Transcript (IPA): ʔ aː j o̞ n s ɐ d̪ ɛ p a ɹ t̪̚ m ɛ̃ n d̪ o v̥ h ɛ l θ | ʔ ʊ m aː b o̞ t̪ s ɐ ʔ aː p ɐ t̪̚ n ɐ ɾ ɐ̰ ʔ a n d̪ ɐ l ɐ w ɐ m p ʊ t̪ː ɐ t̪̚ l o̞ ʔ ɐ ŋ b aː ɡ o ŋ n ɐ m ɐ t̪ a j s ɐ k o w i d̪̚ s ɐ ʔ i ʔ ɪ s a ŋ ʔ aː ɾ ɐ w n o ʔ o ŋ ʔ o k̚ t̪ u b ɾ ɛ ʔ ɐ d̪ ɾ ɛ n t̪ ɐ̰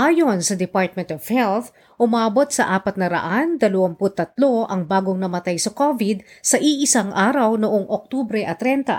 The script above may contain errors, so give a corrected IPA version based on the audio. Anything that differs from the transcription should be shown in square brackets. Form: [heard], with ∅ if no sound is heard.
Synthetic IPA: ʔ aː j o̞ n s ɐ d̪ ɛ p a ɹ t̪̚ m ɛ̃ n [t̪] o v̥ h ɛ l θ | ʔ ʊ m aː b o̞ t̪ s ɐ ʔ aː p ɐ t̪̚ n ɐ ɾ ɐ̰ ʔ a n d̪ ɐ l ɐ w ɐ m p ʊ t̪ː ɐ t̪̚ l o̞ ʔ ɐ ŋ b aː ɡ o ŋ n ɐ m ɐ t̪ a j s ɐ k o [v] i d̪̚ s ɐ ʔ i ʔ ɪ s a ŋ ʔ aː ɾ ɐ w n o ʔ o ŋ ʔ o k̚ t̪ u b ɾ ɛ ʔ ɐ [t̪] ɾ ɛ n t̪ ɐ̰